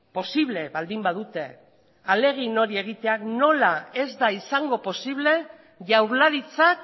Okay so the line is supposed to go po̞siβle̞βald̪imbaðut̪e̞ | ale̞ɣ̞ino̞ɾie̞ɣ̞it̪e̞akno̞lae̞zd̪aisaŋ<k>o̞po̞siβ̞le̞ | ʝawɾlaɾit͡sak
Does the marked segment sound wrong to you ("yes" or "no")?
yes